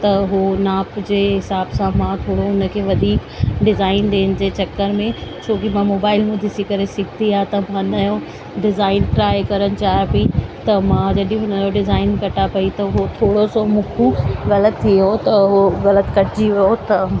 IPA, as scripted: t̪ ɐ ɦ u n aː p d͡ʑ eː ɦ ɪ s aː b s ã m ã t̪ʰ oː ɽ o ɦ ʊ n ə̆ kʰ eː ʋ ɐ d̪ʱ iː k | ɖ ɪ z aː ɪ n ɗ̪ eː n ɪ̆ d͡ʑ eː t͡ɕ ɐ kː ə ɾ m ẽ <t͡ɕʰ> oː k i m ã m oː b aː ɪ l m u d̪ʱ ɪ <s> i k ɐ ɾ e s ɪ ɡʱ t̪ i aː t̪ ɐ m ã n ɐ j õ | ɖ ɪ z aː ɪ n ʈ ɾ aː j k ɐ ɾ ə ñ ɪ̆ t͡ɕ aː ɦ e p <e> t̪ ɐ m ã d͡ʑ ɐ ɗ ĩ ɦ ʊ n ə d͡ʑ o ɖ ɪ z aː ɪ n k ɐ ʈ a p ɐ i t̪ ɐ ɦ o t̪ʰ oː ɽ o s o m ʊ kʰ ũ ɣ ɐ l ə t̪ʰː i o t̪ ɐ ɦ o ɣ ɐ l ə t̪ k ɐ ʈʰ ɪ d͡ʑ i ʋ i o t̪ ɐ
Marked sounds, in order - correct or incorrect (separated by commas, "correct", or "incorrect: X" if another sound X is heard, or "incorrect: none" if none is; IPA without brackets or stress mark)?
correct, correct, incorrect: i